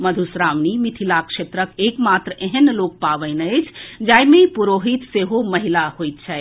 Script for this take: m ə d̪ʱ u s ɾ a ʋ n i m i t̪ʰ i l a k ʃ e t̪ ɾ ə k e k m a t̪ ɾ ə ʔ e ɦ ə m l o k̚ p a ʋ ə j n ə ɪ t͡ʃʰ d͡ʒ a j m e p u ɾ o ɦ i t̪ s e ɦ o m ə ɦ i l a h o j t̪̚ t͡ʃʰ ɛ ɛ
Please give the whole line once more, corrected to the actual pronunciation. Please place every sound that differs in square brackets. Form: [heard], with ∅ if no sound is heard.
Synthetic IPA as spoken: m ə d̪ʱ u s ɾ a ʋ n i m i t̪ʰ i l a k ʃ e t̪ ɾ ə k e k m a t̪ ɾ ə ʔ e ɦ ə [n] l o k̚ p a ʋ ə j n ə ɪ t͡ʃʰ d͡ʒ a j m e p u ɾ o ɦ i t̪ s e ɦ o m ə ɦ i l a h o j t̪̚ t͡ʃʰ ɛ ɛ